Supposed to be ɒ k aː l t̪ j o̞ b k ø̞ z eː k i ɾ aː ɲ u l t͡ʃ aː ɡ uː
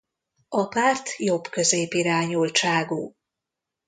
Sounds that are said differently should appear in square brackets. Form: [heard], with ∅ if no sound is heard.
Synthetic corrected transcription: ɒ [p] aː [r] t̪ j o̞ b k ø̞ z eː [p] i ɾ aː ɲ u l t͡ʃ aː ɡ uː